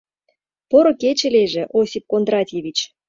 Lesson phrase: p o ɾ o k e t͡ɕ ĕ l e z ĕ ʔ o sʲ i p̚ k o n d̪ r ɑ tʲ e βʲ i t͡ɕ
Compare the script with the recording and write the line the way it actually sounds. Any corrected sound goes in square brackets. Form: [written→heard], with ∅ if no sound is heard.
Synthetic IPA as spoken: p o ɾ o k e t͡ɕ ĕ l e [z→ʒ] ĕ ʔ o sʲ i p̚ k o n d̪ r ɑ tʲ e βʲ i t͡ɕ